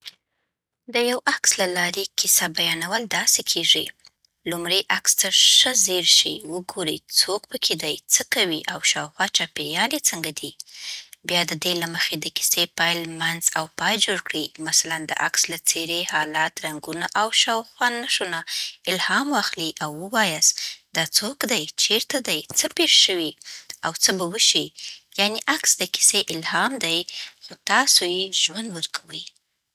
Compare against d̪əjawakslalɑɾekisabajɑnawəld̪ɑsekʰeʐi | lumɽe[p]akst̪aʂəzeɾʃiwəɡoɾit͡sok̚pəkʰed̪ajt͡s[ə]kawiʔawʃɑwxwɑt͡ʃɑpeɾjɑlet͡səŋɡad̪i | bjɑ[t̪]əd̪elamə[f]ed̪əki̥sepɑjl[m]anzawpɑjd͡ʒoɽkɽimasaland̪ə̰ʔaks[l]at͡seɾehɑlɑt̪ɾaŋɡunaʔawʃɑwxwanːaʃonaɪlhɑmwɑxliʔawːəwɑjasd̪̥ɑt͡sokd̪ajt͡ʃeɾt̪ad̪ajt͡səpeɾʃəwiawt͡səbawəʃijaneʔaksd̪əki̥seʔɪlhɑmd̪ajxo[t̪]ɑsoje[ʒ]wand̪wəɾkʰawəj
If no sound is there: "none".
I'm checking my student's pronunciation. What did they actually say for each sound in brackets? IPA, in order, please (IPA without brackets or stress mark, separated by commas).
ʔ, ə, d̪, x, m, l, t̪, ʒ